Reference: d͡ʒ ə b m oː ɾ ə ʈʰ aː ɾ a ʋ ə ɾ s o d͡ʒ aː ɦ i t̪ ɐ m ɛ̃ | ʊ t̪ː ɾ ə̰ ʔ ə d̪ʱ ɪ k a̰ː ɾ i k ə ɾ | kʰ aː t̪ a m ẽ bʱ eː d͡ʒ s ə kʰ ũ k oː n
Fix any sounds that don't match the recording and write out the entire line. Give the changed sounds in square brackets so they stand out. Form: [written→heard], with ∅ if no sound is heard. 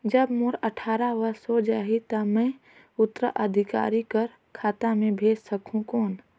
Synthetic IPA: d͡ʒ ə b m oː ɾ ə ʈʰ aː ɾ a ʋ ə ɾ s o d͡ʒ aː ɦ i t̪ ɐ m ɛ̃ | ʊ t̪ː ɾ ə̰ ʔ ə d̪ʱ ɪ k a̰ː ɾ i k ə ɾ | kʰ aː t̪ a m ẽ bʱ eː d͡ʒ s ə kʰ ũ k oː n